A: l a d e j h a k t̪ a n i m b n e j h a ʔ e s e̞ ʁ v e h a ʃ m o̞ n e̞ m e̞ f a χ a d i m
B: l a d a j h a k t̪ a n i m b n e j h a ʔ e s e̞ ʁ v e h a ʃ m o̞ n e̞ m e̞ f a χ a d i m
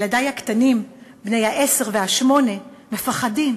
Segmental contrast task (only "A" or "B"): B